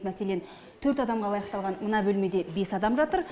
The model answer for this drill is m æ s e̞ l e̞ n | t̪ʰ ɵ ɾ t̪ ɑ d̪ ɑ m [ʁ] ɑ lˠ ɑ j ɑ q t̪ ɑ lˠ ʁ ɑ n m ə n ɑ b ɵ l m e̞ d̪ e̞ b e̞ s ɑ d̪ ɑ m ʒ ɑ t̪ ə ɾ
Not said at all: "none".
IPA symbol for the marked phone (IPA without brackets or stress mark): ʁ